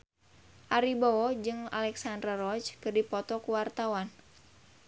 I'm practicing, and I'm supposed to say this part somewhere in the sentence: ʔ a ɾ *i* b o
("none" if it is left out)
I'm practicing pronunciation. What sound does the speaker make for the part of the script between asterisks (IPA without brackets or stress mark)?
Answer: i